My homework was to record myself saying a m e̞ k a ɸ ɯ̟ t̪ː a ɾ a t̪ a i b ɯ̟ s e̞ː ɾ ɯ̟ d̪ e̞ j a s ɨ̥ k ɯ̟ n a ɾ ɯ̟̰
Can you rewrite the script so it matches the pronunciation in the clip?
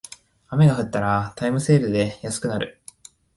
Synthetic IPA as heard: a m e̞ ɡ a ɸ ɯ̟ t̪ː a ɾ a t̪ a i m ɯ̟ s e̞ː ɾ ɯ̟ d̪ e̞ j a s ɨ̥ k ɯ̟ n a ɾ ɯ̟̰